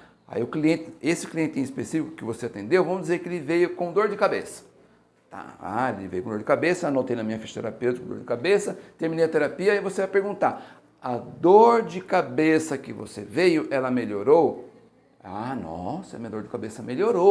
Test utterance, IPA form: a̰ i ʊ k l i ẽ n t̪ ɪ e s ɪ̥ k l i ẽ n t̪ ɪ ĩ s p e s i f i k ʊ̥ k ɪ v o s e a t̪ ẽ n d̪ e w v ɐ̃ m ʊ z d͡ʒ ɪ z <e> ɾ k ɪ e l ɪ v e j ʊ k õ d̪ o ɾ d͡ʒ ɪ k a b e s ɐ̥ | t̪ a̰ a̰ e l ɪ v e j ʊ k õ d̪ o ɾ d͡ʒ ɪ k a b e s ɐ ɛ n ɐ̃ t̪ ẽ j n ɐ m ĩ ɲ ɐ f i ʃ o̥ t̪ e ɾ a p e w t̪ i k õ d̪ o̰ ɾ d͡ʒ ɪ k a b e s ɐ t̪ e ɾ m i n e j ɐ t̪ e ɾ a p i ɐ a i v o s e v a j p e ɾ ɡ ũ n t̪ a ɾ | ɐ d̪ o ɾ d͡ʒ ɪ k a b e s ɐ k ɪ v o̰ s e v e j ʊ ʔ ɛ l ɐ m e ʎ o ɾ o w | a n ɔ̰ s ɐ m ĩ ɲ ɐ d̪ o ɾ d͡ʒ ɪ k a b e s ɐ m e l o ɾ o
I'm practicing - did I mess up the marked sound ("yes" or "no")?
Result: no